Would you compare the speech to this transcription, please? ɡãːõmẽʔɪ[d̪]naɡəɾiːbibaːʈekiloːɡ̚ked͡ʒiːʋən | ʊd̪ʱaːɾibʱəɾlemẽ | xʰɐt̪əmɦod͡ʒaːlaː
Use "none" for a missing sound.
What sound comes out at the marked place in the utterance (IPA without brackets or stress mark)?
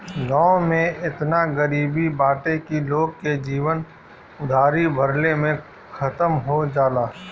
t̪